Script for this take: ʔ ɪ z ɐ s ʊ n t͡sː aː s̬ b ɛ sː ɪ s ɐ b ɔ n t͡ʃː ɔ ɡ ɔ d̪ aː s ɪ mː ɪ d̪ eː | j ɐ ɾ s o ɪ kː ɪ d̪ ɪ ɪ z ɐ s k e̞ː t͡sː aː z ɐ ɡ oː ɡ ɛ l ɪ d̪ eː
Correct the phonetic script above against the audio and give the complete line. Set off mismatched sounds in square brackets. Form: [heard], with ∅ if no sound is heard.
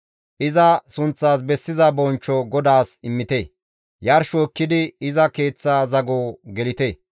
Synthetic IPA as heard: ʔ ɪ z ɐ s ʊ n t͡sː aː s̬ b ɛ sː ɪ [z] ɐ b ɔ n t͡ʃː ɔ ɡ ɔ d̪ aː s ɪ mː ɪ [t̪] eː | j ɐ ɾ [ʃ] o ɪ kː ɪ d̪ ɪ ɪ z ɐ [∅] k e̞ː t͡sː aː z ɐ ɡ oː ɡ ɛ l ɪ [t̪] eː